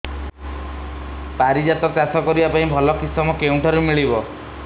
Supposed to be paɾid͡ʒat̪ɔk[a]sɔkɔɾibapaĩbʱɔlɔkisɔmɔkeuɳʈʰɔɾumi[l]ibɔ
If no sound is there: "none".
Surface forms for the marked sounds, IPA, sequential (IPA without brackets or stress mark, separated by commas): a, ɭ